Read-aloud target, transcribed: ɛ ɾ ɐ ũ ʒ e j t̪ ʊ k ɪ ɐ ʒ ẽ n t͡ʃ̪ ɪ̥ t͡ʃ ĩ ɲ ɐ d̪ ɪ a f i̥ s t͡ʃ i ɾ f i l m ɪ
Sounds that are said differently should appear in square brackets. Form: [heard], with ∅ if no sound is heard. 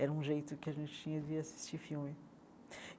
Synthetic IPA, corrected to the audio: ɛ ɾ ɐ ũ ʒ e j t̪ ʊ k ɪ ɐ ʒ ẽ n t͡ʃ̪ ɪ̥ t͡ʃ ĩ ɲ ɐ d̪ ɪ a [s] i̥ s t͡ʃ i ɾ f i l m ɪ